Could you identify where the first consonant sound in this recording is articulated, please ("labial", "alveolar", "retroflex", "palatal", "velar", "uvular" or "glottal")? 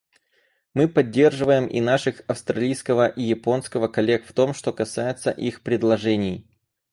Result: labial